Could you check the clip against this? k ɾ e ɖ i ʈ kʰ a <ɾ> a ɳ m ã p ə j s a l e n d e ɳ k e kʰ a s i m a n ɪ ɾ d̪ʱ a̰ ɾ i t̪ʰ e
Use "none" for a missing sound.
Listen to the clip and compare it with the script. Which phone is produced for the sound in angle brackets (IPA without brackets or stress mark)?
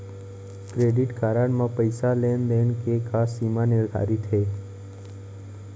ɾ